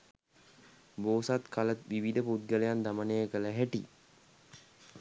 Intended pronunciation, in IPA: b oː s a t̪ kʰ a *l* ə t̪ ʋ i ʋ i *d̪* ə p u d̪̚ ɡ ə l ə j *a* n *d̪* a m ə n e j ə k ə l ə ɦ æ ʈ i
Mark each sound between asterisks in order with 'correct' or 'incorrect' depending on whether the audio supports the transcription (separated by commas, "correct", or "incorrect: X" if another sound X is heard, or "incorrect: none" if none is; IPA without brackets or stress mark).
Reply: correct, correct, correct, correct